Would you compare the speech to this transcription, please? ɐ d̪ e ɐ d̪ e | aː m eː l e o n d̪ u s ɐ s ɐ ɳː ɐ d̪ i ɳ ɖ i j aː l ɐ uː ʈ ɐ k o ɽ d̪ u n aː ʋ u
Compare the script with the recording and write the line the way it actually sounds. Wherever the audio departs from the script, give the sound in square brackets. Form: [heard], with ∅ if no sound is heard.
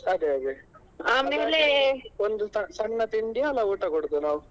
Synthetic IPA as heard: ɐ d̪ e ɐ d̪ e | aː m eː l e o n d̪ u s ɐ s ɐ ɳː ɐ [t̪] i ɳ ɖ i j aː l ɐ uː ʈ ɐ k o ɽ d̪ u n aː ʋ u